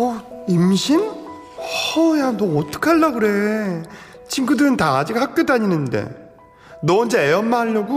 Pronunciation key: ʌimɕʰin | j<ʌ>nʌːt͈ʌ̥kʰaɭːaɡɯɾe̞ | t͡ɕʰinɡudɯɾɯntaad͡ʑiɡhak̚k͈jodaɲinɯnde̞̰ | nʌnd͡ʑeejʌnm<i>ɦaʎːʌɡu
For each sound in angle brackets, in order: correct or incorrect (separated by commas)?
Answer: incorrect, incorrect